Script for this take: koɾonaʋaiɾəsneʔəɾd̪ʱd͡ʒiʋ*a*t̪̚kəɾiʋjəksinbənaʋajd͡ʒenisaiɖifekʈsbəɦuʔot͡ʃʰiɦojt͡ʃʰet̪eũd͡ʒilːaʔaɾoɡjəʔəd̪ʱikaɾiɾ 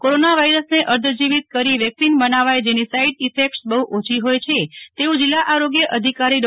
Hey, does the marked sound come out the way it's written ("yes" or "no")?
no